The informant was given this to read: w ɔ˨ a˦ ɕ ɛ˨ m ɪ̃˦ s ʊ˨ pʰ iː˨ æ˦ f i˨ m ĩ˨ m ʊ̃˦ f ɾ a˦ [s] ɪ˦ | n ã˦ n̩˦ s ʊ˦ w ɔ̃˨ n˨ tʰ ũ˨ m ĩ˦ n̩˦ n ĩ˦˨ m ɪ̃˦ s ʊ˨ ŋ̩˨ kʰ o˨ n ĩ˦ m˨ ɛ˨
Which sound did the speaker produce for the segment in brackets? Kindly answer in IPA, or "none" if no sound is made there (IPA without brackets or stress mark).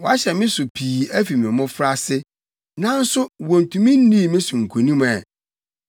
s